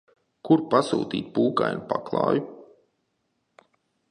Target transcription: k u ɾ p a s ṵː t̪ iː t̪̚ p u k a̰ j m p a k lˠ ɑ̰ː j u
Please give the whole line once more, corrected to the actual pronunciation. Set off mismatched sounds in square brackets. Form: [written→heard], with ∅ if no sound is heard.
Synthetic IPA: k u ɾ p a s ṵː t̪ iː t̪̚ p [u→uː] k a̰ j [m→n] p a k lˠ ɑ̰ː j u

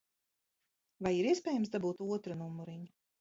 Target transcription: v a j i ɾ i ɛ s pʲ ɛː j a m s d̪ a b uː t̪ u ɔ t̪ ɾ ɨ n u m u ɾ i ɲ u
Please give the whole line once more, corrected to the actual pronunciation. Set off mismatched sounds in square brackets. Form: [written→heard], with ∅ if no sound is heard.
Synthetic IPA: v a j i ɾ i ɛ s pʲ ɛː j a m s d̪ a b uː t̪ u ɔ t̪ ɾ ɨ n u m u ɾ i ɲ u

